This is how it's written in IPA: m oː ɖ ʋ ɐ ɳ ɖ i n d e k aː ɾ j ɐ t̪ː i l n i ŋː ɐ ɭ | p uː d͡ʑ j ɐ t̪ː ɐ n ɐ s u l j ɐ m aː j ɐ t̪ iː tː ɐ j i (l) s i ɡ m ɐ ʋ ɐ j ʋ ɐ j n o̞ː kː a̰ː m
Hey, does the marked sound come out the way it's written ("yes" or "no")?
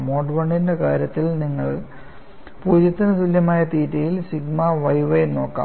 yes